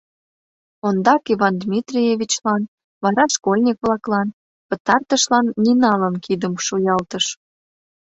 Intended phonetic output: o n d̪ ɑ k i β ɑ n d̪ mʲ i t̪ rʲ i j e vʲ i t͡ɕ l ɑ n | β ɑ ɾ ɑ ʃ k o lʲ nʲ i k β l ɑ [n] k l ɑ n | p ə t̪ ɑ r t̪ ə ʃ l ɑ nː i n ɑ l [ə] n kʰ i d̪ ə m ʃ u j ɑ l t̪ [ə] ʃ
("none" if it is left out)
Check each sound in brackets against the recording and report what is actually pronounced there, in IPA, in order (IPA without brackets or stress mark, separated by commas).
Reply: none, ə, ə